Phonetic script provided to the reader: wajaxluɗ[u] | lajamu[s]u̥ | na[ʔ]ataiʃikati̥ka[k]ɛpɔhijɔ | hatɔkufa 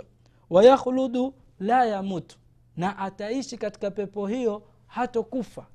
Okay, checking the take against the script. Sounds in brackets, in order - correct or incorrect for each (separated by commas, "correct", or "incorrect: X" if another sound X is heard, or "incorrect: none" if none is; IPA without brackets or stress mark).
correct, incorrect: t, correct, incorrect: p